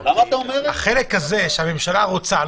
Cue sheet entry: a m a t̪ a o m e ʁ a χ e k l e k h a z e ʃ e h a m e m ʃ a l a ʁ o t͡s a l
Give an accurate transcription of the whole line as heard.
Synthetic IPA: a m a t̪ a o m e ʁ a χ e l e k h a z e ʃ e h a m e m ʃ a l a ʁ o t͡s a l